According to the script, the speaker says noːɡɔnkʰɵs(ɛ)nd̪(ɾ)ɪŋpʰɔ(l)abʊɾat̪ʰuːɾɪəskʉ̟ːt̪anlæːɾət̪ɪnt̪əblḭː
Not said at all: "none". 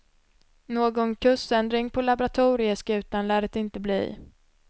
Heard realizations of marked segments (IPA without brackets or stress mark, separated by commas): ɛ, ɾ, l